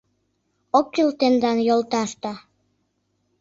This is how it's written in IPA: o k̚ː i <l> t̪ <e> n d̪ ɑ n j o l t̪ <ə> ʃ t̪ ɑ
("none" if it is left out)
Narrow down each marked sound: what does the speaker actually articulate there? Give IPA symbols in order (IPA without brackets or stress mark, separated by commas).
l, e, ɑ